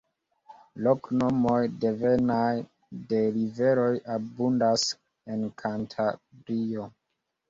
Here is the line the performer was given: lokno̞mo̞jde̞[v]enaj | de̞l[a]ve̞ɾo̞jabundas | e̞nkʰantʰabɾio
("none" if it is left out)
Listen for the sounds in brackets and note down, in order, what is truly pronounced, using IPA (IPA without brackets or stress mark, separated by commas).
v, i